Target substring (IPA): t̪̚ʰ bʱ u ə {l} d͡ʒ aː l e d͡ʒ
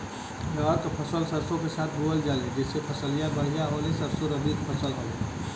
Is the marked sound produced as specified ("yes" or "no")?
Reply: yes